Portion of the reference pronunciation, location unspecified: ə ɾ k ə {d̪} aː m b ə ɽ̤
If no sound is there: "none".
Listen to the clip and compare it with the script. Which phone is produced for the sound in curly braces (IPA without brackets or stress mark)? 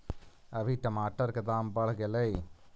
d̪